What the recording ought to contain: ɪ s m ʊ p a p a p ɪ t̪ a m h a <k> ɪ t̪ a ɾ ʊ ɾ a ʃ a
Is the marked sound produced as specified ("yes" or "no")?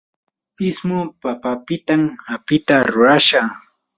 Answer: no